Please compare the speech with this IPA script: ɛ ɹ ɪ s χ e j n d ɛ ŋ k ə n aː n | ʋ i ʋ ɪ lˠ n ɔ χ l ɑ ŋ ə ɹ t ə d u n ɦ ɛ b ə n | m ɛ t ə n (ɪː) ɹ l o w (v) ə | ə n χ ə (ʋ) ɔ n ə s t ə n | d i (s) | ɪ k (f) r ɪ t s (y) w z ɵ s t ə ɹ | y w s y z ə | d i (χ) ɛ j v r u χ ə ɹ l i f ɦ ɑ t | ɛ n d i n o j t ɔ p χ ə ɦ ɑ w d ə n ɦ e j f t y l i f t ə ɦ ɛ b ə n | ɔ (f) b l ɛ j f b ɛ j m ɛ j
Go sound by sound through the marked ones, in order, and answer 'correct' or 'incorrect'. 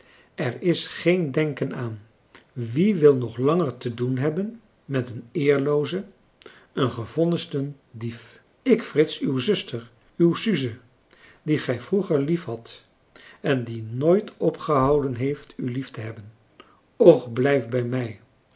correct, incorrect, incorrect, incorrect, correct, correct, correct, incorrect

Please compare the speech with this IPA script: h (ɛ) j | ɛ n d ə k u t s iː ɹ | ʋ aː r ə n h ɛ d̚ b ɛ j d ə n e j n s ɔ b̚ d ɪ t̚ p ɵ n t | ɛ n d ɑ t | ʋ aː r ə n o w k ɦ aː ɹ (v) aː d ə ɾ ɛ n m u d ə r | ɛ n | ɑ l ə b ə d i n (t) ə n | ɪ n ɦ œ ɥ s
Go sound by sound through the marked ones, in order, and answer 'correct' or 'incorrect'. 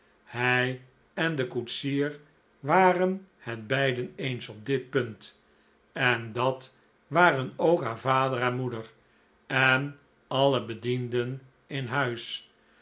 correct, correct, incorrect

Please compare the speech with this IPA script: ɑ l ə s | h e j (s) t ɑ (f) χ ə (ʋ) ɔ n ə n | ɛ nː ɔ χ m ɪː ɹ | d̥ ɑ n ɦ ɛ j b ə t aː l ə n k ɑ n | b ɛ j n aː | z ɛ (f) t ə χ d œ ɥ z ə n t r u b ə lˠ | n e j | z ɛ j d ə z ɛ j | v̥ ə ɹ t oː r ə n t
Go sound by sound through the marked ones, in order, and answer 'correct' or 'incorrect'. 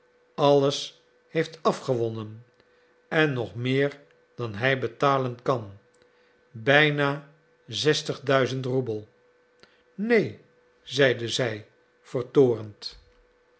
incorrect, correct, correct, incorrect

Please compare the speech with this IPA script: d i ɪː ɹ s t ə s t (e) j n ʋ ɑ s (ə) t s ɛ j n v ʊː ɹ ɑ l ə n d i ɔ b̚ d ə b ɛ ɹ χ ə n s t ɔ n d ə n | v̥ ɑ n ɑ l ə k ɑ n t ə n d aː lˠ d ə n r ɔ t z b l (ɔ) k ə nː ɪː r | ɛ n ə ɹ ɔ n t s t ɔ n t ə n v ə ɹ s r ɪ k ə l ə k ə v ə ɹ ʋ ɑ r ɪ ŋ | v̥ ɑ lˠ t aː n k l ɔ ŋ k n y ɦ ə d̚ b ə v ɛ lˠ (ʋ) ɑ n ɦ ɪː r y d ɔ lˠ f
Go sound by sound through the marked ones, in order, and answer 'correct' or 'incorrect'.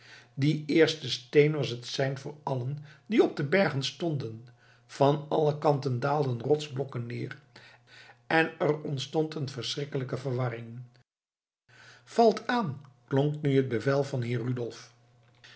correct, correct, correct, incorrect

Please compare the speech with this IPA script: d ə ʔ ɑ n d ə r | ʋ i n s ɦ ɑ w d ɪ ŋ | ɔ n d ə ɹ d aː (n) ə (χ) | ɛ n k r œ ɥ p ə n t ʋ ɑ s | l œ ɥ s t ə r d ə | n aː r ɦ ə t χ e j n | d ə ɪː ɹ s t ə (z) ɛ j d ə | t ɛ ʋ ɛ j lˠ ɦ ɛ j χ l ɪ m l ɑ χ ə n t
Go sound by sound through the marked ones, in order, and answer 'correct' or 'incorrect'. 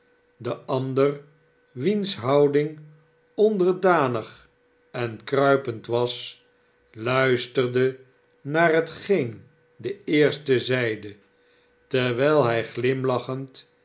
correct, correct, correct

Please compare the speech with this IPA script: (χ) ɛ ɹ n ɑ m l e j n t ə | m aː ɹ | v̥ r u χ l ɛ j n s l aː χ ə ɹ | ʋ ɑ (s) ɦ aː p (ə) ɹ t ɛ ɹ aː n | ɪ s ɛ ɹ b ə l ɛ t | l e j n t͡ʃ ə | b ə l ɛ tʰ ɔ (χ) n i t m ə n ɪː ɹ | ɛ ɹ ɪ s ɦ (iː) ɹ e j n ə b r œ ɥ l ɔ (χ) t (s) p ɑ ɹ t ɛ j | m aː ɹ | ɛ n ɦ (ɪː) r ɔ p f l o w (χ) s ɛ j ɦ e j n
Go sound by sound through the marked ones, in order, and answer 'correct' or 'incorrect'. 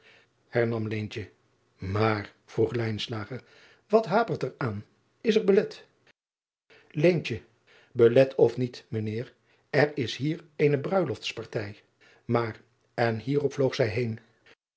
incorrect, incorrect, correct, incorrect, correct, incorrect, correct, incorrect, correct

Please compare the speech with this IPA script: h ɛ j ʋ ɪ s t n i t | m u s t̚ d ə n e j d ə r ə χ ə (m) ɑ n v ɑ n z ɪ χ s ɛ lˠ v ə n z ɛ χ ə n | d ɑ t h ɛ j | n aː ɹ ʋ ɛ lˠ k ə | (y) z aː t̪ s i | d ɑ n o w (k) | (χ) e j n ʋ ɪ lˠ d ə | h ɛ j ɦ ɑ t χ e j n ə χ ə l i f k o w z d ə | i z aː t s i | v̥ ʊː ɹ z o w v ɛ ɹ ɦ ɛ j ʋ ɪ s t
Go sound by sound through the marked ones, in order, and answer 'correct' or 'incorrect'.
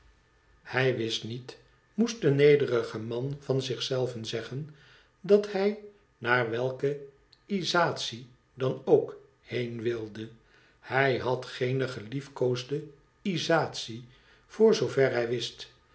correct, incorrect, correct, incorrect

